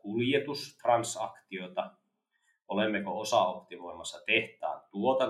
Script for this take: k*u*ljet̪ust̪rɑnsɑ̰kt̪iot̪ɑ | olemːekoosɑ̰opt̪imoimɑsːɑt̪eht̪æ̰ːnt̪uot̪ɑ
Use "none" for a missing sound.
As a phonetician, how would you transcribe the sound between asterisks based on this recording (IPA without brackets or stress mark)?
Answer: u